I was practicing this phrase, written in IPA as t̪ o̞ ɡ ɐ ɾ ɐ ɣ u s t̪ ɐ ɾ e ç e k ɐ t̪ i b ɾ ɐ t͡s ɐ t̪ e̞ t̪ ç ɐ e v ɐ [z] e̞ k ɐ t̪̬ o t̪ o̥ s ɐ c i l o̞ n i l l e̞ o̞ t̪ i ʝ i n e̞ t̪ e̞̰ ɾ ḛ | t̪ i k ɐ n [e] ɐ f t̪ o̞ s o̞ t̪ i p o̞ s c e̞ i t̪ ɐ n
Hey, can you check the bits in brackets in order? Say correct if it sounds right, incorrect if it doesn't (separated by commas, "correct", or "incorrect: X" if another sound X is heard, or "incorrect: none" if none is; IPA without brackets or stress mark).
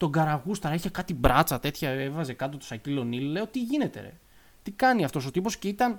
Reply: correct, incorrect: i